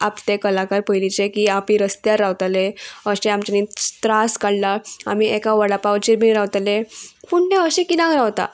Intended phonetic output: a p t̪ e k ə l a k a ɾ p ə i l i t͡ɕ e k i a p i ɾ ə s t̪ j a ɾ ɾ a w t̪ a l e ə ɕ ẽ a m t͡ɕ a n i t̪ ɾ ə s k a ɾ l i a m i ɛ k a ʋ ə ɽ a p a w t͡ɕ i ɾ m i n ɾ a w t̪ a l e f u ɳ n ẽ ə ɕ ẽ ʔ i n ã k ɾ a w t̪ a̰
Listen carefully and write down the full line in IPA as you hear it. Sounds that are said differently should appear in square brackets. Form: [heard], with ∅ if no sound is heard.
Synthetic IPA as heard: a p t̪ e k ə l a k a ɾ p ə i l i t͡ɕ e k i a p i ɾ ə s t̪ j a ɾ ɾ a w t̪ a l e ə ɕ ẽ a m t͡ɕ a n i t̪ ɾ [a] s k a [ɽ] l [a] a m i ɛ k a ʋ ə ɽ a p a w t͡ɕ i ɾ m i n ɾ a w t̪ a l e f u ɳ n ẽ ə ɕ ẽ [k] i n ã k ɾ a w t̪ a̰